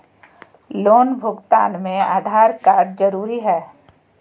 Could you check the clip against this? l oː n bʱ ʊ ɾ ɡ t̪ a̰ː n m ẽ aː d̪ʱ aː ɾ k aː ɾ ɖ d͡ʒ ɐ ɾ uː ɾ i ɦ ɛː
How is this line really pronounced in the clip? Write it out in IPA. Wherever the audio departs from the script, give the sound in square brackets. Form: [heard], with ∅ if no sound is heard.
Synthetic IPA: l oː n bʱ ʊ [∅] ɡ t̪ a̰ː n m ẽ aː d̪ʱ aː ɾ k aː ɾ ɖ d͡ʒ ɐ ɾ uː ɾ i ɦ ɛː